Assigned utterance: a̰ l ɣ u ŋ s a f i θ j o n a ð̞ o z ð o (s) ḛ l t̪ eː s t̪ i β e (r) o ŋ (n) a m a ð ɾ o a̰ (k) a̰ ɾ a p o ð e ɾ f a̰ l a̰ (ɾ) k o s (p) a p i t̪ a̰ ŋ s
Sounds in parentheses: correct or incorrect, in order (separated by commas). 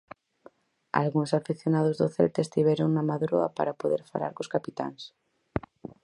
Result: incorrect, incorrect, correct, incorrect, correct, incorrect